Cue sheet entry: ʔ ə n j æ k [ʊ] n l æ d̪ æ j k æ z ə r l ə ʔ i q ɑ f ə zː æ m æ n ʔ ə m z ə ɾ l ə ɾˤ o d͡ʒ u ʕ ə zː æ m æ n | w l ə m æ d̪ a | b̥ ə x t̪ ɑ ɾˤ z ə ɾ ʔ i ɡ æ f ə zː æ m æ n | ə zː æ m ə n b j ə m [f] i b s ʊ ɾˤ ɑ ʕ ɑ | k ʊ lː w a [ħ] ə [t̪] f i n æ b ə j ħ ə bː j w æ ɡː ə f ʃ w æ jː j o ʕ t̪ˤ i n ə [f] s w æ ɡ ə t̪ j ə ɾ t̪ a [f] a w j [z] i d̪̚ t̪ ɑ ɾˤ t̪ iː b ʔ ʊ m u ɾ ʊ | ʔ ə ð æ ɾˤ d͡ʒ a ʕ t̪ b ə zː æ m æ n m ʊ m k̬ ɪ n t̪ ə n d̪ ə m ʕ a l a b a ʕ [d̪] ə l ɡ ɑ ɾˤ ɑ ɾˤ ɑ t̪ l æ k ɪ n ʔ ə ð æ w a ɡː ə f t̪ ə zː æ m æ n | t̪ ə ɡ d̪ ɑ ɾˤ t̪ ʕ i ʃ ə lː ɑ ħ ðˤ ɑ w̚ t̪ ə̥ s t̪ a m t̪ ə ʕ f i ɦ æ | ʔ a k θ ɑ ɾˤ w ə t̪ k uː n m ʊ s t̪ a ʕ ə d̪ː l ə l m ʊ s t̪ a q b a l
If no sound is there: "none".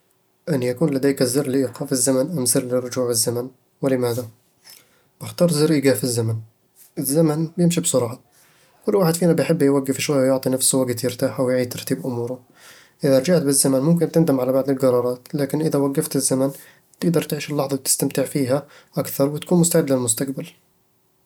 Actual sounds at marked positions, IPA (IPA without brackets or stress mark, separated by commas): u, ʃ, ħ, d̪, f, ħ, ʕ, d̪